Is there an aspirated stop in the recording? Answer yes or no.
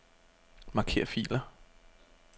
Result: yes